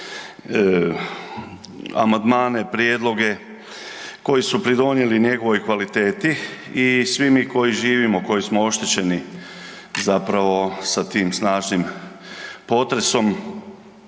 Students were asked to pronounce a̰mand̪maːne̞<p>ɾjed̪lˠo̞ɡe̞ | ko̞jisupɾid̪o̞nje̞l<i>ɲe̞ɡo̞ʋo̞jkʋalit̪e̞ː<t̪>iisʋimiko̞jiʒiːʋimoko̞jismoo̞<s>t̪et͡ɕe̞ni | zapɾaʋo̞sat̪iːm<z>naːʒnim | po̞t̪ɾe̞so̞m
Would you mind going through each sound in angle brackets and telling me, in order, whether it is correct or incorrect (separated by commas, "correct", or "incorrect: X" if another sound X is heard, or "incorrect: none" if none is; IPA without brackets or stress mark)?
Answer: correct, correct, correct, incorrect: ʃ, incorrect: s